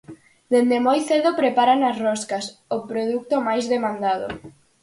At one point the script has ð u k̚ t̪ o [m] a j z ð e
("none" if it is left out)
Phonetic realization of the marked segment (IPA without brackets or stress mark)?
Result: m